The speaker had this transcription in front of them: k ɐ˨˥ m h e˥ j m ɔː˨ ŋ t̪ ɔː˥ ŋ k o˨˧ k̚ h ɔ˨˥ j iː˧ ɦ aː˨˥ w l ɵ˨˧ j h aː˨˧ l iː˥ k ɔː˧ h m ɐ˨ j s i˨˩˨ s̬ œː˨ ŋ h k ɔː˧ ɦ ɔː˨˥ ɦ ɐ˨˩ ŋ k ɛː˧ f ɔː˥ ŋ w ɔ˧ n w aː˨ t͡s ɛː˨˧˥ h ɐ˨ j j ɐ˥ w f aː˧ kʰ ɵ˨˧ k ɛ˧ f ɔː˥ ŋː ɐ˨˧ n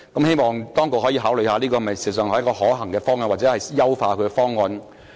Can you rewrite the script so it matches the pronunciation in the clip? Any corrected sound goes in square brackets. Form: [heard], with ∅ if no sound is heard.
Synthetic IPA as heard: k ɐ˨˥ m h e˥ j m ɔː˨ ŋ t̪ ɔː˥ ŋ k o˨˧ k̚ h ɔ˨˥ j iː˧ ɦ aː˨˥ w l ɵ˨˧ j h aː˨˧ l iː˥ k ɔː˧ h m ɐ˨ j s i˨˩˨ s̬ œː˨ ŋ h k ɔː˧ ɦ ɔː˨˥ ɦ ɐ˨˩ ŋ k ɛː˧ f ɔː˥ ŋ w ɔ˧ n w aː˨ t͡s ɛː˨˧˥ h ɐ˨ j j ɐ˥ w f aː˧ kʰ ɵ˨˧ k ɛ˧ f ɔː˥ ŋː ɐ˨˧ n